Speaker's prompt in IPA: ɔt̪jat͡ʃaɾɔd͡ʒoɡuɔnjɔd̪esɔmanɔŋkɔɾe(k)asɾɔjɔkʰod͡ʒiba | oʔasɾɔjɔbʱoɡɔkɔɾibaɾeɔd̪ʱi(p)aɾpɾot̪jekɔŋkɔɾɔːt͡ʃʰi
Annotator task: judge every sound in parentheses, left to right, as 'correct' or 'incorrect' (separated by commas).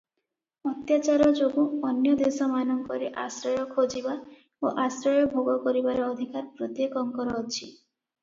incorrect, incorrect